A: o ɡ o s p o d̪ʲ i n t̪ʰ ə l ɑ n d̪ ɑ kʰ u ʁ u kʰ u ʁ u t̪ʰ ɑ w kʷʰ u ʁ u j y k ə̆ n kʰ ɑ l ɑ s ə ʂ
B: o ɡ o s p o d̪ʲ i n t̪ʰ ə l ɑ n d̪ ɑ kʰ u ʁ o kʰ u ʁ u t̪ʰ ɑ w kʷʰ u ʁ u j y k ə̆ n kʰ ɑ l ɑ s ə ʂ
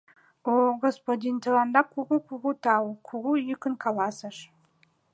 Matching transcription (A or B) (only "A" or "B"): A